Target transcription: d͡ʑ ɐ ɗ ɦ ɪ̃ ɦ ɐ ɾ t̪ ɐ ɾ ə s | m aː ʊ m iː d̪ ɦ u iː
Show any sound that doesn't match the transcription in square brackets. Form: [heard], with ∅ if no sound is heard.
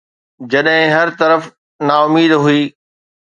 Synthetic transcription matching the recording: d͡ʑ ɐ ɗ ɦ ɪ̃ ɦ ɐ ɾ t̪ ɐ ɾ ə [f] | [n] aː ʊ m iː d̪ ɦ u iː